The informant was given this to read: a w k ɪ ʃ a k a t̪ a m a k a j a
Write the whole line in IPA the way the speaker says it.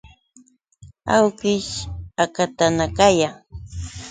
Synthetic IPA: a w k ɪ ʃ a k a t̪ a n a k a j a